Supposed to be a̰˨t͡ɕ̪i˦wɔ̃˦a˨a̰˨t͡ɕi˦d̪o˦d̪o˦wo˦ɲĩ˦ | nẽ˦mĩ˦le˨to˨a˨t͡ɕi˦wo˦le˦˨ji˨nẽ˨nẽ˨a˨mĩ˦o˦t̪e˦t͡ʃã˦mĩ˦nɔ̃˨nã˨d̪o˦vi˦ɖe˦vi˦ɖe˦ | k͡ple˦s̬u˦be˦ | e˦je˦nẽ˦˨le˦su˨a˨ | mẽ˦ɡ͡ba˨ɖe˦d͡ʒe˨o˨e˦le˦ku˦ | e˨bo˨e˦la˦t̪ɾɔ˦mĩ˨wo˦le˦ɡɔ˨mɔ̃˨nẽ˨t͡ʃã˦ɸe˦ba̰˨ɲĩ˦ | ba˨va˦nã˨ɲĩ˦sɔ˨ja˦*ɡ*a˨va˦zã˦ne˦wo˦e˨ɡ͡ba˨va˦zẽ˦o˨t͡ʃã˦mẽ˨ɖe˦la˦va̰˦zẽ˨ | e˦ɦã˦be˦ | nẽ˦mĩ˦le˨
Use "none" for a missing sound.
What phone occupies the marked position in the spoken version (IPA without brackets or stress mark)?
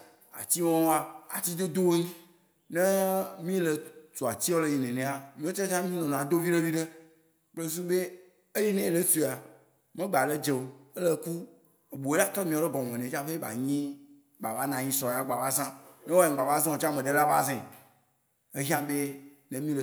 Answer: ɡ͡b